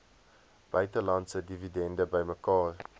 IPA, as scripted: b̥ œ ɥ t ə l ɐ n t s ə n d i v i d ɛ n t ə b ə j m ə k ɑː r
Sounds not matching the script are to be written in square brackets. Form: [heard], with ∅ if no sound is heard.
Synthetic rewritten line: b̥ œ ɥ t ə l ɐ n t s ə [∅] d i v i d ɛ n [d] ə b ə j m ə k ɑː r